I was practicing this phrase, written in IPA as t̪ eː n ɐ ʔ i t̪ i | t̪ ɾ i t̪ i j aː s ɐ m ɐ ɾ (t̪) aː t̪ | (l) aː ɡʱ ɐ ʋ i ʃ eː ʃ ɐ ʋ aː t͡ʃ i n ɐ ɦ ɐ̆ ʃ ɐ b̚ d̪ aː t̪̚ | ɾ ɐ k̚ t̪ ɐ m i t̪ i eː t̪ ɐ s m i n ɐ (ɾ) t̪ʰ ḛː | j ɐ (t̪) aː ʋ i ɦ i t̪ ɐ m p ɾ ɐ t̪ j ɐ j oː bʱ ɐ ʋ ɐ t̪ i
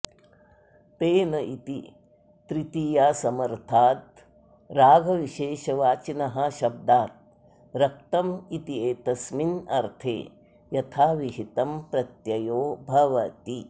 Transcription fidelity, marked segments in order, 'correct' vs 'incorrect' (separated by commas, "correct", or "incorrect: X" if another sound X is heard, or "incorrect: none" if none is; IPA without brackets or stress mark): incorrect: t̪ʰ, incorrect: ɾ, correct, incorrect: t̪ʰ